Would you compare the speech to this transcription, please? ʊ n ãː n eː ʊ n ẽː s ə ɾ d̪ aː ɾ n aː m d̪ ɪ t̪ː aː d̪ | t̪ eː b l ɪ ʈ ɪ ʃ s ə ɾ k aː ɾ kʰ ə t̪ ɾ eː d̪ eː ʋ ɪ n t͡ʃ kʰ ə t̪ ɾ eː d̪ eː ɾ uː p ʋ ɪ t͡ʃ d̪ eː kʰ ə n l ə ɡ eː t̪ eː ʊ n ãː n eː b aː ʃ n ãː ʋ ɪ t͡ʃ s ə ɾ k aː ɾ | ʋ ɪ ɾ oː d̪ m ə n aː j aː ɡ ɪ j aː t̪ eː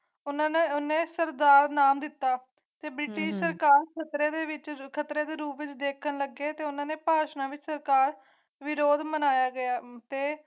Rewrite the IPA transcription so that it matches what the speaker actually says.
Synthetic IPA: ʊ n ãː n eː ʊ n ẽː s ə ɾ d̪ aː ɾ n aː m d̪ ɪ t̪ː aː | t̪ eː b ɾ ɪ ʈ ɪ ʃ s ə ɾ k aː ɾ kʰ ə t̪ ɾ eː d̪ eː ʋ ɪ t͡ʃ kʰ ə t̪ ɾ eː d̪ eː ɾ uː p ʋ ɪ t͡ʃ d̪ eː kʰ ə n l ə ɡ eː t̪ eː ʊ n ãː n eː p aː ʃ n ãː ʋ ɪ t͡ʃ s ə ɾ k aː ɾ | ʋ ɪ ɾ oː d̪ m ə n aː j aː ɡ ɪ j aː t̪ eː